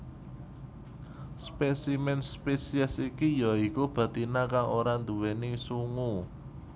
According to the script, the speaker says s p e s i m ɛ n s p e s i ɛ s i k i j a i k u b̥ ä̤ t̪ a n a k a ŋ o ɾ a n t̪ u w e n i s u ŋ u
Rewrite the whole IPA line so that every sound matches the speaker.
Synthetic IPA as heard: s p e s i m ɛ n s p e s i ɛ s i k i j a i k u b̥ ä̤ t̪ i n a k a ŋ o ɾ a n d̪ u w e n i s u ŋ u